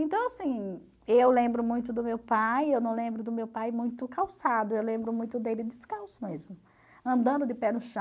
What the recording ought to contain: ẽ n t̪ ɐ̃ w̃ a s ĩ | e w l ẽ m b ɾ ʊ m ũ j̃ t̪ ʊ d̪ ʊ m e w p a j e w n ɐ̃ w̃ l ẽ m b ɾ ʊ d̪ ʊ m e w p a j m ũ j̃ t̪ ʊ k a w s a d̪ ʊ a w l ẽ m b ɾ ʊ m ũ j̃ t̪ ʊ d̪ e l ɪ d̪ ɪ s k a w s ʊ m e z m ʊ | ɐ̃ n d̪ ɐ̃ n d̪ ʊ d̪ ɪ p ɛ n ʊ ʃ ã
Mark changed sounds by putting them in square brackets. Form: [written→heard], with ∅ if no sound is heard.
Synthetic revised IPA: ẽ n t̪ ɐ̃ w̃ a s ĩ | e w l ẽ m b ɾ ʊ m ũ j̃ t̪ ʊ d̪ ʊ m e w p a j e w n ɐ̃ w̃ l ẽ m b ɾ ʊ d̪ ʊ m e w p a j m ũ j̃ t̪ ʊ k a w s a d̪ ʊ [a→e] w l ẽ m b ɾ ʊ m ũ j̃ t̪ ʊ d̪ e l ɪ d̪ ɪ s k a w s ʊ m e z m ʊ | ɐ̃ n d̪ ɐ̃ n d̪ ʊ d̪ ɪ p ɛ n ʊ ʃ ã